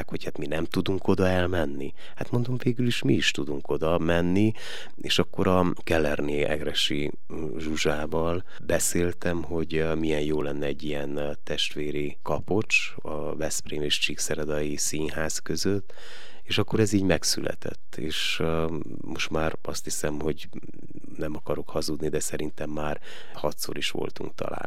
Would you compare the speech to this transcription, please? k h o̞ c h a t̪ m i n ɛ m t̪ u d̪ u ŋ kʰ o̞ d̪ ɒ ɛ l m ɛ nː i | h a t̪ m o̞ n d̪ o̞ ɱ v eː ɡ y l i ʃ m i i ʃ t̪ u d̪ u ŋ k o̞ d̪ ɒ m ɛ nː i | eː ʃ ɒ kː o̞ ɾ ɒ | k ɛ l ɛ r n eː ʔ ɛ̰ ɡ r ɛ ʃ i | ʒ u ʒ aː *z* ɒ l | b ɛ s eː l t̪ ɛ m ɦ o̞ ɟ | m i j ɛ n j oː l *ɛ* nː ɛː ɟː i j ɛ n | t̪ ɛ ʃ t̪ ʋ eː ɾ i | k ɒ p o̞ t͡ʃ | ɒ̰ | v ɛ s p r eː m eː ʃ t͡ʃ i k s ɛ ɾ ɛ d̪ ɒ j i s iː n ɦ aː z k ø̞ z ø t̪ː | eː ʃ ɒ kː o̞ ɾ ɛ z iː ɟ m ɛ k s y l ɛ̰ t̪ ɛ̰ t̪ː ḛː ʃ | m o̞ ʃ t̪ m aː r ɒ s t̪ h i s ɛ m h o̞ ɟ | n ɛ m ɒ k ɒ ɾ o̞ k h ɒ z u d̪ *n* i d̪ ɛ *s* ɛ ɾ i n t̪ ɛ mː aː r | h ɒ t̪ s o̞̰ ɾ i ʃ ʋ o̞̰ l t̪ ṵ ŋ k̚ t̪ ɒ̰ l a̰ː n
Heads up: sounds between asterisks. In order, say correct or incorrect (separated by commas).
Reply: incorrect, correct, correct, correct